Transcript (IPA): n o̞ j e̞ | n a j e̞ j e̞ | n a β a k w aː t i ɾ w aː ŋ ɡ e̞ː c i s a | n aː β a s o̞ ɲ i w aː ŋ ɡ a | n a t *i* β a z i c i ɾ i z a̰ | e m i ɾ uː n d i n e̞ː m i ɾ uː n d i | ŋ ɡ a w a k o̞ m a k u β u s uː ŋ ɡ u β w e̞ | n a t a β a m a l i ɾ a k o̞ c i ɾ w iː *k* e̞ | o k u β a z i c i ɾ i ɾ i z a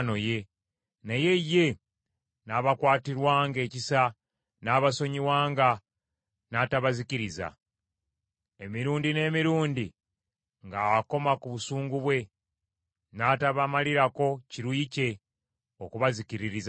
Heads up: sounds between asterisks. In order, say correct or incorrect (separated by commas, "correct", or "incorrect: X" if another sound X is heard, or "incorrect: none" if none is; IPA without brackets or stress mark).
incorrect: a, incorrect: c